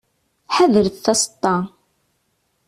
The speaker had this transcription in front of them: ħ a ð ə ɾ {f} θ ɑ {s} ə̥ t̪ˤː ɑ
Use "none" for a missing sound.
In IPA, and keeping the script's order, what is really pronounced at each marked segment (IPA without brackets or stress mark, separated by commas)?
θ, s